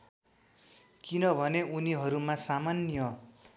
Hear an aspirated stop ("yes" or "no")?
no